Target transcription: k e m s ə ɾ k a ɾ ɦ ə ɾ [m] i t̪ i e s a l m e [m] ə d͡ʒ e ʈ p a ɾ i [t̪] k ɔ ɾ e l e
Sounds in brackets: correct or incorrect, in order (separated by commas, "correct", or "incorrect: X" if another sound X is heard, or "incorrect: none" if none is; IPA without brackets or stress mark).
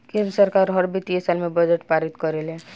incorrect: b, incorrect: b, correct